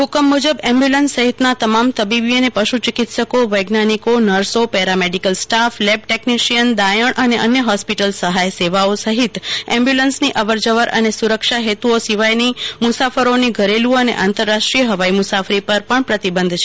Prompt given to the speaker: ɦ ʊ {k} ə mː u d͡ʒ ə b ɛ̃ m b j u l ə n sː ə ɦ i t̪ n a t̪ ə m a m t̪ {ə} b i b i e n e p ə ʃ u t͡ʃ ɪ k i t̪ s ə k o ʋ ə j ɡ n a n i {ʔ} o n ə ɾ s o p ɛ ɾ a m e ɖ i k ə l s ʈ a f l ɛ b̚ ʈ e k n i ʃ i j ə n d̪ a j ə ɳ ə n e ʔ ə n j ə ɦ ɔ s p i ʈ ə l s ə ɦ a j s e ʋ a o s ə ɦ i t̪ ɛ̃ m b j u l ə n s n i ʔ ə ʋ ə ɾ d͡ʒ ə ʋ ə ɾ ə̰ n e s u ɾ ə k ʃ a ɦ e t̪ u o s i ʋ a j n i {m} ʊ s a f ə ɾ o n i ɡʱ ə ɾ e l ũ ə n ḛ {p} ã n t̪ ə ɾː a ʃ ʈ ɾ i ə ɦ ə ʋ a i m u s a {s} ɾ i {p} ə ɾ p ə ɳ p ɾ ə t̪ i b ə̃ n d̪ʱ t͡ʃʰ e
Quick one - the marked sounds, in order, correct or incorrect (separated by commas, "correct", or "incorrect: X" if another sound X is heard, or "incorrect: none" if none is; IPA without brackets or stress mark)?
correct, correct, incorrect: k, correct, incorrect: ʔ, incorrect: f, correct